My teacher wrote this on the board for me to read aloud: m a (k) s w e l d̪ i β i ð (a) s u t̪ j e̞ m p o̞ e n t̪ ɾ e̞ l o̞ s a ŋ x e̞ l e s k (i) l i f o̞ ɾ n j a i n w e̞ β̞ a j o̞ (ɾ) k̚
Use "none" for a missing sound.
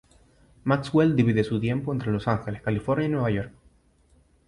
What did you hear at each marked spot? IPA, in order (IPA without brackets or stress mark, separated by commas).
k, e, a, ɾ